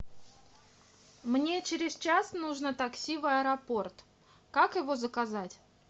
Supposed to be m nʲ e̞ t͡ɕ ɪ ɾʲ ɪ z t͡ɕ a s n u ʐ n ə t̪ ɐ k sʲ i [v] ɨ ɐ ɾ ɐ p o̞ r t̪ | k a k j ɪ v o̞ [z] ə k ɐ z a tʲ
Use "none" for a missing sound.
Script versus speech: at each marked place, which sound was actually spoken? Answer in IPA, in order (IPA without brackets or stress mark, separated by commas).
v, z